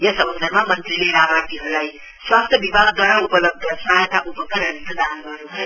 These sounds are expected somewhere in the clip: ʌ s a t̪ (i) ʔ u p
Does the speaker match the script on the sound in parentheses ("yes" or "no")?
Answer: no